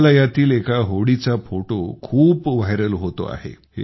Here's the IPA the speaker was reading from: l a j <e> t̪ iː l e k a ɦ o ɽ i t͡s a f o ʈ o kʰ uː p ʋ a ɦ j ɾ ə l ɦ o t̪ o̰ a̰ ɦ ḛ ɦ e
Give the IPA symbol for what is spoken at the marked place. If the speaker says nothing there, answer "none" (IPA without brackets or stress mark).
a